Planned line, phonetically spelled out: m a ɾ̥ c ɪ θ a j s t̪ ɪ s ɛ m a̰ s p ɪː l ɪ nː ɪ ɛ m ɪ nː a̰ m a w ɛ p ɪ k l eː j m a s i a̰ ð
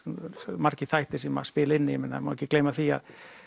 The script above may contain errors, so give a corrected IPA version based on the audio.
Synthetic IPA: m a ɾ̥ c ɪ θ a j h t̪ ɪ s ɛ m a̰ s p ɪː l ɪ nː ɪ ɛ m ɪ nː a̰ m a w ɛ c ɪ k l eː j m a θ i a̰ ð

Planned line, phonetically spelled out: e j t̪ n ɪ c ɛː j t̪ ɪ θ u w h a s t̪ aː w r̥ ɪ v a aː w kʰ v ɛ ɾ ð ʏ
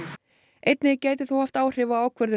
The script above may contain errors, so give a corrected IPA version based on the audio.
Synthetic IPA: e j t̪ n ɪ c aː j t̪ ɪ θ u w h a f t̪ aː w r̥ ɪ v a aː w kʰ v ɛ ɾ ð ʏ

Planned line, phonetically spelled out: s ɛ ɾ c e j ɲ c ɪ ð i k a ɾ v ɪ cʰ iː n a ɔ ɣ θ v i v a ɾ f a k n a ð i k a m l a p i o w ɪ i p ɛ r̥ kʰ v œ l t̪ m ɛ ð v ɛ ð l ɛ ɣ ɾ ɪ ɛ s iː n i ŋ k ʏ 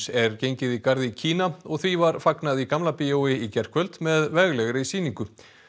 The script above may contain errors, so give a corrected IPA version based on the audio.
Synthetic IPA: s ɛ ɾ c e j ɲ c ɪ ð i k a ɾ ð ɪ cʰ iː n a ɔ ɣ θ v i v a ɾ f a k n a ð i k a m l a p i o w ɪ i c ɛ r̥ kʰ v œ l t̪ m ɛ ð v ɛ ɣ l ɛ ɣ ɾ ɪ i s iː n i ŋ k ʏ

